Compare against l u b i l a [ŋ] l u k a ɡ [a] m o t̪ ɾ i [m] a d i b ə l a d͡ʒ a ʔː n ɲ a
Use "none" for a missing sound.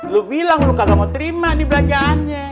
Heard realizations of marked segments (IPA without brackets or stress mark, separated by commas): ŋ, a, m